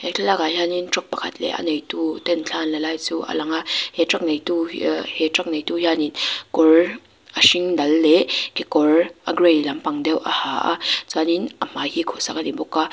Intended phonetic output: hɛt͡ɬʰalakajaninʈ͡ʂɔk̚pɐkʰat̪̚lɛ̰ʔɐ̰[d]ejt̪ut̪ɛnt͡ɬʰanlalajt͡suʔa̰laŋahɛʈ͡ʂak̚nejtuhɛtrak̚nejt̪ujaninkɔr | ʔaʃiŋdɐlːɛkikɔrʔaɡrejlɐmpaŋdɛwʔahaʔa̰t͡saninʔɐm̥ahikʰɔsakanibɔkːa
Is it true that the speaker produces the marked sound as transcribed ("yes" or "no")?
no